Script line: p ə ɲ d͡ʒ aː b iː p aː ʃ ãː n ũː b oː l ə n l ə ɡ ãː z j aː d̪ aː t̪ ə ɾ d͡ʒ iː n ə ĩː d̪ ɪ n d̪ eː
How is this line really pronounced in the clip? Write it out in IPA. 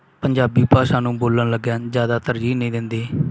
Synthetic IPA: p ə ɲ d͡ʒ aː b iː p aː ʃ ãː n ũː b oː l ə n l ə ɡ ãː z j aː d̪ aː t̪ ə ɾ d͡ʒ iː n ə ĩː d̪ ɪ n d̪ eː